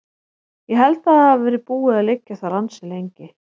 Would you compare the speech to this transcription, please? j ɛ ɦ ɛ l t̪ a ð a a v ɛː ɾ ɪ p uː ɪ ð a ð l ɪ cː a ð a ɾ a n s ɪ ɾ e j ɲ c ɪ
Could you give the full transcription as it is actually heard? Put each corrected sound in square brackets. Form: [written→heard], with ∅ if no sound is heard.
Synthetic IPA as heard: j ɛ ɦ ɛ l t̪ a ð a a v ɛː ɾ ɪ p uː ɪ ð a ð l ɪ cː a [ð→θ] a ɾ a n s ɪ [ɾ→l] e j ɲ c ɪ